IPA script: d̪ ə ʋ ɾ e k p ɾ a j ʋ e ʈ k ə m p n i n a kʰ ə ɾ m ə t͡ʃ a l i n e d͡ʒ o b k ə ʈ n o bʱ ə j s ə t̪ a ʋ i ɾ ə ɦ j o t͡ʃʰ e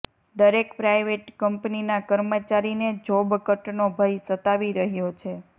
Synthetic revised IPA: d̪ ə ɾ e k p ɾ a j ʋ e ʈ k ə m p n i n a k ə ɾ m ə t͡ʃ a ɾ i n e d͡ʒ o b k ə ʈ n o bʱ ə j s ə t̪ a ʋ i ɾ ə ɦ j o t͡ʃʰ e